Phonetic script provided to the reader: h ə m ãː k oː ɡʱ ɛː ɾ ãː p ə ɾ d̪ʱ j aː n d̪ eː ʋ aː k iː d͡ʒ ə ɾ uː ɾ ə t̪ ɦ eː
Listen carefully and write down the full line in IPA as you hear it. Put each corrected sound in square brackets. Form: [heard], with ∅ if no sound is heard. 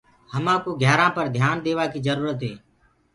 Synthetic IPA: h ə m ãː k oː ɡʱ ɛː ɾ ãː p ə ɾ d̪ʱ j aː n d̪ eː ʋ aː k iː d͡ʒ ə ɾ uː ɾ ə t̪ ɦ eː